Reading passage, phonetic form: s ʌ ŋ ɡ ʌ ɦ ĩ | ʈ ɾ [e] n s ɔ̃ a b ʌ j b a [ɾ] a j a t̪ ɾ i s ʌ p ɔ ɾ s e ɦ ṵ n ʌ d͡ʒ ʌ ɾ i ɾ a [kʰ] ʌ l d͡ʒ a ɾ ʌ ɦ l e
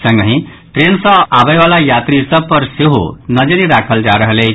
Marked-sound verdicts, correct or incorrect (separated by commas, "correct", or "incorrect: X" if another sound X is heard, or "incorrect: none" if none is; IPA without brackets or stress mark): correct, incorrect: l, correct